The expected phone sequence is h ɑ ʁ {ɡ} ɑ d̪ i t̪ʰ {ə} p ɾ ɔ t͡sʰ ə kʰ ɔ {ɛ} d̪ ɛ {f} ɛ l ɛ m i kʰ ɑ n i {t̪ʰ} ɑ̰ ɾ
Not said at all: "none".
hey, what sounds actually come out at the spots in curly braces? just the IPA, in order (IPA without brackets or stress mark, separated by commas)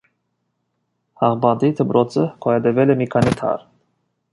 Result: b, ə, ɛ, v, t̪ʰ